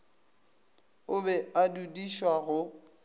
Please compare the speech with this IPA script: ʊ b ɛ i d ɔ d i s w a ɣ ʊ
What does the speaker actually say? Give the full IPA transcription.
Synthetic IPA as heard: ʊ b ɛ a d u d i ʃ w a ɣ ʊ